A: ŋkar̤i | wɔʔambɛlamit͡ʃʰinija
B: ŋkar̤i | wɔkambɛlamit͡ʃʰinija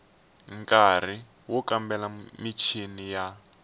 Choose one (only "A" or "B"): B